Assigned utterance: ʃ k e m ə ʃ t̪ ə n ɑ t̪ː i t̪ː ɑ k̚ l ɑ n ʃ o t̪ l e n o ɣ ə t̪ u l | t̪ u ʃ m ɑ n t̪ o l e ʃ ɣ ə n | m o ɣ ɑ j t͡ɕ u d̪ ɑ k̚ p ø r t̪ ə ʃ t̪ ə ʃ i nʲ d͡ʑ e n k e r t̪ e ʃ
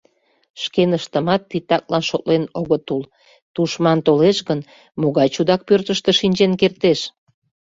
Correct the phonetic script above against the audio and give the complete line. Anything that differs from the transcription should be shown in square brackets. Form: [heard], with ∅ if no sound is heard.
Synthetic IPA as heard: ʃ k e [n] ə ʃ t̪ ə [m] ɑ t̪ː i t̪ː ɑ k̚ l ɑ n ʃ o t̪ l e n o ɣ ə t̪ u l | t̪ u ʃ m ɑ n t̪ o l e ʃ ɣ ə n | m o ɣ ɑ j t͡ɕ u d̪ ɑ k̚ p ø r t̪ ə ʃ t̪ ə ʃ i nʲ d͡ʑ e n k e r t̪ e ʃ